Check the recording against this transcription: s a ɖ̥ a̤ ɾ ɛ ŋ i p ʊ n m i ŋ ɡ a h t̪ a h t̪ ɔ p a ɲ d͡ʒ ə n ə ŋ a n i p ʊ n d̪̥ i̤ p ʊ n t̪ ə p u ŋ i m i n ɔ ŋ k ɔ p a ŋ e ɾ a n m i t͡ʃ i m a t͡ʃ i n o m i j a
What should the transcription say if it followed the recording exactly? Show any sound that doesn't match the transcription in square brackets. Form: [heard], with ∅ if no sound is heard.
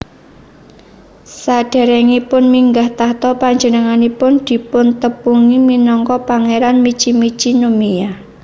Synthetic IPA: s a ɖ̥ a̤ ɾ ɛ ŋ i p ʊ n m i ŋ ɡ a h t̪ a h t̪ ɔ p a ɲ d͡ʒ ə n ə ŋ a n i p ʊ n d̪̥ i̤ p ʊ n t̪ ə p u ŋ i m i n ɔ ŋ k ɔ p a ŋ e ɾ a n m i t͡ʃ i m [i] t͡ʃ i n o m i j a